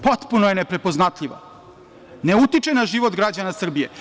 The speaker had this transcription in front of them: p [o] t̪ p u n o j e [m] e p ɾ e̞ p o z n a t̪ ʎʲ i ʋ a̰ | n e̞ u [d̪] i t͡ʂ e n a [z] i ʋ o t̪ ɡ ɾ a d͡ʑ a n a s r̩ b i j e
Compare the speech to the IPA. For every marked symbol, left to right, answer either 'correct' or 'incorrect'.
correct, incorrect: n, incorrect: t̪, incorrect: ʒ

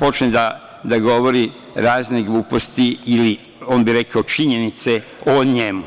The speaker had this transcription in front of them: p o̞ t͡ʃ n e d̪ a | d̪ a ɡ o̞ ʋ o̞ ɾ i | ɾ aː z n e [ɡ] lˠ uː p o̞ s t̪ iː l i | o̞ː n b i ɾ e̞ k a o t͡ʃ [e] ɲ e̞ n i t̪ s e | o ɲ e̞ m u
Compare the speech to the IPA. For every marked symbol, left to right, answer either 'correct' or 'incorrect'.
correct, incorrect: i

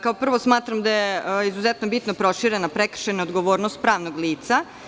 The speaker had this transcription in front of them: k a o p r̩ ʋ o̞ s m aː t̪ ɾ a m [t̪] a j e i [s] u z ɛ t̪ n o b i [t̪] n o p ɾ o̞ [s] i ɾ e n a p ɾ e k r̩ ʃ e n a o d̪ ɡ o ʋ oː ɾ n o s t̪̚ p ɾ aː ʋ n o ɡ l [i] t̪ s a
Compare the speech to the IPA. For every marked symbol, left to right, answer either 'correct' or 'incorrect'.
incorrect: d̪, incorrect: z, correct, incorrect: ʃ, incorrect: iː

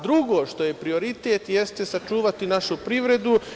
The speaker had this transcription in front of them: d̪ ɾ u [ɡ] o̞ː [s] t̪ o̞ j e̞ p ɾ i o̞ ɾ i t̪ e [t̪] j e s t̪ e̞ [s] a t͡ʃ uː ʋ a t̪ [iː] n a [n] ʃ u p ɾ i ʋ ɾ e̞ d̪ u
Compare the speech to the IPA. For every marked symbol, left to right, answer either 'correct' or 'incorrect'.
correct, incorrect: ʃ, correct, correct, incorrect: i, incorrect: none

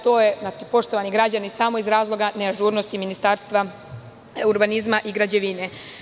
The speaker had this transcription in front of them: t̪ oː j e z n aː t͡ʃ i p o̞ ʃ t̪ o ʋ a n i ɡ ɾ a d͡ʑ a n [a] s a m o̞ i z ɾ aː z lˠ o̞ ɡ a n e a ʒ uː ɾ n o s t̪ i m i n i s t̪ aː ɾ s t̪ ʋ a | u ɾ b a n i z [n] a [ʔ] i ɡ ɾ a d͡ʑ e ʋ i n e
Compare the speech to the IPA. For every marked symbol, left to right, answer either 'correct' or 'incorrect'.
incorrect: i, incorrect: m, correct

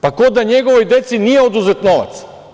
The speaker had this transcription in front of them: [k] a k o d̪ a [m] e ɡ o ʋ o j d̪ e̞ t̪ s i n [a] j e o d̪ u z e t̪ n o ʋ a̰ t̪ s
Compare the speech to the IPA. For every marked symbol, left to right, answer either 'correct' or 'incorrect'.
incorrect: p, incorrect: ɲ, incorrect: i

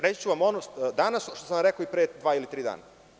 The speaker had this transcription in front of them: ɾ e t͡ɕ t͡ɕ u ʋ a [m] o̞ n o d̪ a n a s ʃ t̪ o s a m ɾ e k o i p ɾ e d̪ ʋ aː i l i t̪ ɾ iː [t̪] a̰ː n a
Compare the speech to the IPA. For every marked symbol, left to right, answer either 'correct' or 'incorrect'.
correct, incorrect: d̪

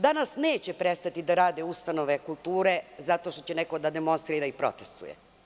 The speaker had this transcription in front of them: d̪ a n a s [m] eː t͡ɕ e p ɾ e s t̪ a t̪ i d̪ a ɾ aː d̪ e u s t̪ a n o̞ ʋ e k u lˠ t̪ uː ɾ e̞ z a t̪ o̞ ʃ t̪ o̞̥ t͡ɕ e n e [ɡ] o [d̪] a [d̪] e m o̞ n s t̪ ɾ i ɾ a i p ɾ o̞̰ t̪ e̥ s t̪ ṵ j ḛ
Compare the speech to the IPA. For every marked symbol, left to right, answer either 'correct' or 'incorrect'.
incorrect: n, incorrect: k, correct, correct

